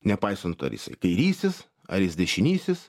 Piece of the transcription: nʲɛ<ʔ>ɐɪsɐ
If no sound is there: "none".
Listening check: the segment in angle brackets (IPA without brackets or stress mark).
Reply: p